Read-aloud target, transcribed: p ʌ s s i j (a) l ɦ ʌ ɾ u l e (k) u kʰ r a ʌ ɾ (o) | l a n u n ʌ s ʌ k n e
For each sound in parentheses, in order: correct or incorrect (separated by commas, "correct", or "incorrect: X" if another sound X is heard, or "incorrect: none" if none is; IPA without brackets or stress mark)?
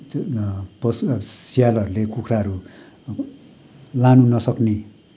correct, correct, incorrect: u